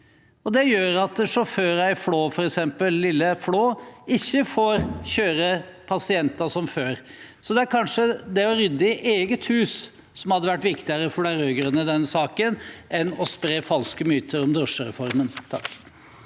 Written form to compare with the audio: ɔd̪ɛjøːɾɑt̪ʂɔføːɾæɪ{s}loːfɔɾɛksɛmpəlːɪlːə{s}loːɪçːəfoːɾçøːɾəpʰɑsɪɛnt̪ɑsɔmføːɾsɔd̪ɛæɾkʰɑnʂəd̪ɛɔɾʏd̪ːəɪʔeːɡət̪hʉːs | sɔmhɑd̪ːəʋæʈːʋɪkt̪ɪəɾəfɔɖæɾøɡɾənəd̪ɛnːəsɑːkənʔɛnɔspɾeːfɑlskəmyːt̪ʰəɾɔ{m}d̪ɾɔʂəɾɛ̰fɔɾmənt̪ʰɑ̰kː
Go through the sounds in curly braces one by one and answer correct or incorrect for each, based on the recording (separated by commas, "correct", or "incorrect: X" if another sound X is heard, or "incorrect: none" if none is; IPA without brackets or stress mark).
incorrect: f, incorrect: f, correct